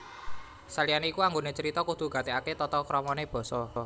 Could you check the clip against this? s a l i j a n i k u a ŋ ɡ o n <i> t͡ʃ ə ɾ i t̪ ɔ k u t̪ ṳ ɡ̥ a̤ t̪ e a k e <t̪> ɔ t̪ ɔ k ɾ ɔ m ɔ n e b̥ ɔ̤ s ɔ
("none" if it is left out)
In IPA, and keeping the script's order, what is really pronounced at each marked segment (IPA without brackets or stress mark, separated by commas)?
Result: e, t̪